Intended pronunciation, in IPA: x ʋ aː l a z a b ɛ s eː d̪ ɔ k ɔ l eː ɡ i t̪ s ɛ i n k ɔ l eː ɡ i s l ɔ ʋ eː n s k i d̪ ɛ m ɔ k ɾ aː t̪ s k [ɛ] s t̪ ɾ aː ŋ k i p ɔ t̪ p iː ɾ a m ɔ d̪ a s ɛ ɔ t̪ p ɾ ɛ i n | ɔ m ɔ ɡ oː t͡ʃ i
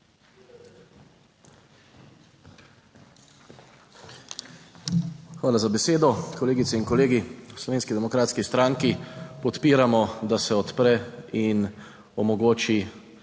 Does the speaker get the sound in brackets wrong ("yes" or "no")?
yes